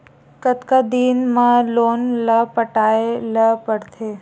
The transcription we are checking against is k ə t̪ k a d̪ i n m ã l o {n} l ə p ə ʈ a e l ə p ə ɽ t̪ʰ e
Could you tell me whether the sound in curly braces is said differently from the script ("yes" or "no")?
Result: no